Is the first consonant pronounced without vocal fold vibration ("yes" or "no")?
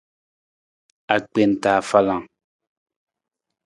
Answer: yes